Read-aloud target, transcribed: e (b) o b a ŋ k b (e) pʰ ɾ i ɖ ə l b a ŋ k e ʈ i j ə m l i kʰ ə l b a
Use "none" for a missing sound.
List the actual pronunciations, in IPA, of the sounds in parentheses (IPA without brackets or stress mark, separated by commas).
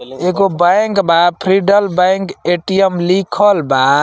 ɡ, a